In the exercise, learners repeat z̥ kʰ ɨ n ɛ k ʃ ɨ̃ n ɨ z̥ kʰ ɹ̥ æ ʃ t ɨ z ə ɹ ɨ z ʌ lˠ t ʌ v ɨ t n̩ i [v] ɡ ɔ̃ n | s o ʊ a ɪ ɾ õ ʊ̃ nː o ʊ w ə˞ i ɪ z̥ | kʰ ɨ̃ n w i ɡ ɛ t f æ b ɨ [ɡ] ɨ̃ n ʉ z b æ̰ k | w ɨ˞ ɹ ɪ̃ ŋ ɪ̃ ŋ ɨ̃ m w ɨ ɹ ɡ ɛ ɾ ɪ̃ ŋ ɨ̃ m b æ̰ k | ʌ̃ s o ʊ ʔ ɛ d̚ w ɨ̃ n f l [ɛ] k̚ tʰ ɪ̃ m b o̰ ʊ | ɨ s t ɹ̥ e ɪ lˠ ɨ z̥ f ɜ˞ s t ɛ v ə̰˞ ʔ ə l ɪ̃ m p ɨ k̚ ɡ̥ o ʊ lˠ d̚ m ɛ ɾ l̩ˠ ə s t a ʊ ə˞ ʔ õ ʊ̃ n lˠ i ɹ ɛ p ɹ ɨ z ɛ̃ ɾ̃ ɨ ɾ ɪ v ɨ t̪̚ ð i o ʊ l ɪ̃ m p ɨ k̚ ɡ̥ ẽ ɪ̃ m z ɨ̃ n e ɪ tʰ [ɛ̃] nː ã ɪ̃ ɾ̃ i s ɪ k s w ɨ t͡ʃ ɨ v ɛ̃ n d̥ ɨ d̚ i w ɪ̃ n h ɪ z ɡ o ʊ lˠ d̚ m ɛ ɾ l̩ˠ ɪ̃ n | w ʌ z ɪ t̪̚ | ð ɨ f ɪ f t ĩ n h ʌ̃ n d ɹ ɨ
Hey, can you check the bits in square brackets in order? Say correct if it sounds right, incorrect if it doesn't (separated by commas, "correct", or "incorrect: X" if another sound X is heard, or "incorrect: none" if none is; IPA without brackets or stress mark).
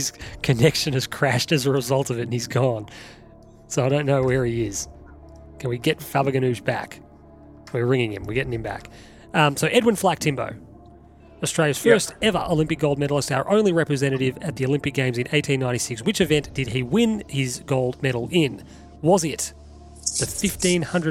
incorrect: z, correct, incorrect: æ, incorrect: ĩ